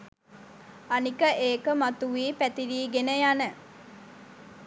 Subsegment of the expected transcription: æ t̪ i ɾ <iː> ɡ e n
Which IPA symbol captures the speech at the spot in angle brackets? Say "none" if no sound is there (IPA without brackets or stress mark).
iː